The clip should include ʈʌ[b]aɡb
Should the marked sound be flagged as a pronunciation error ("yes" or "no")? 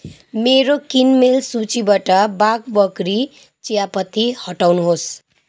no